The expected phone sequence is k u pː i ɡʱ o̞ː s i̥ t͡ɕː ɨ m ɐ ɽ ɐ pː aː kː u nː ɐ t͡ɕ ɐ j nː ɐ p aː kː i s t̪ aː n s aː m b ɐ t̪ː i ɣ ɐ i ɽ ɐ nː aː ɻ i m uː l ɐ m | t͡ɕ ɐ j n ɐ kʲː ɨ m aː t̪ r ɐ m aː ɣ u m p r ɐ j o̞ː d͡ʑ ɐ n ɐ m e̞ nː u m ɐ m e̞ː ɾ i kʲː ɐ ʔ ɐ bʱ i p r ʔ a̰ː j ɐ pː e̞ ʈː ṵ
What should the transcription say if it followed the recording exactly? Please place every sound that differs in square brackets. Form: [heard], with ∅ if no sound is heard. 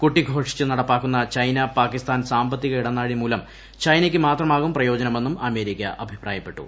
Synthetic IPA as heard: k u [ʈː] i ɡʱ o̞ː [ʂ] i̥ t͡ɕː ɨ [n] ɐ ɽ ɐ pː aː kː u nː ɐ t͡ɕ ɐ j [n] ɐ p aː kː i s t̪ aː n s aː m b ɐ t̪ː i ɣ ɐ i ɽ ɐ nː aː ɻ i m uː l ɐ m | t͡ɕ ɐ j n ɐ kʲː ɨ m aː t̪ r ɐ m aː ɣ u m p r ɐ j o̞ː d͡ʑ ɐ n ɐ m e̞ nː u m ɐ m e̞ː ɾ i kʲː ɐ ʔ ɐ bʱ i p r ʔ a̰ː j ɐ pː e̞ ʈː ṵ